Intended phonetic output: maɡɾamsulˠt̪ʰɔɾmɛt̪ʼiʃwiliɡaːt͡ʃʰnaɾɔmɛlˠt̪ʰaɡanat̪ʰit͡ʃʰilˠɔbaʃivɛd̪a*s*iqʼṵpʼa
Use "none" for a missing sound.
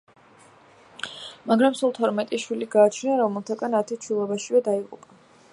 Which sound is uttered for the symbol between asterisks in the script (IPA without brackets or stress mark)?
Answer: none